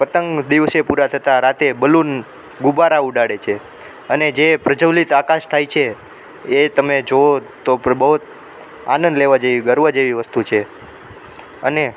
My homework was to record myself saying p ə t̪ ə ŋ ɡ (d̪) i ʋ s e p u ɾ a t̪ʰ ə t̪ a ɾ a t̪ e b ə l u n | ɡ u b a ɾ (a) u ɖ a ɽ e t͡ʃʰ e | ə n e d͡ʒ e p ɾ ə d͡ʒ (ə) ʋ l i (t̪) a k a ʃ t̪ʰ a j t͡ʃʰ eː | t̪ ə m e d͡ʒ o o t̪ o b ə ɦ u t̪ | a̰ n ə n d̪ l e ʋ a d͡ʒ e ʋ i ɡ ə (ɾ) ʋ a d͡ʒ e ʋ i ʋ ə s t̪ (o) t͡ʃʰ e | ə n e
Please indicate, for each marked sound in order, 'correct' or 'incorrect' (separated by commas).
correct, correct, correct, correct, correct, incorrect